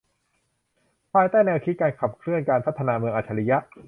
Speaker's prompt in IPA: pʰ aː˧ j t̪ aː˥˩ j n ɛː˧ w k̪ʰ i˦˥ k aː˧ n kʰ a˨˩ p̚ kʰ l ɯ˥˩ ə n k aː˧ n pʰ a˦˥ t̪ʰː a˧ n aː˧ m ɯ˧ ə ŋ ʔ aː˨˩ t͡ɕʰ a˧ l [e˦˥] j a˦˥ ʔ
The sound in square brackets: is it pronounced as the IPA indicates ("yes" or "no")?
no